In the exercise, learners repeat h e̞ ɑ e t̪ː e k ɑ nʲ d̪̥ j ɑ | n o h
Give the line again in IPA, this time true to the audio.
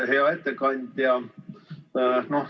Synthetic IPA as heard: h e̞ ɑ e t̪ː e k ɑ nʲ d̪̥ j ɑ | n o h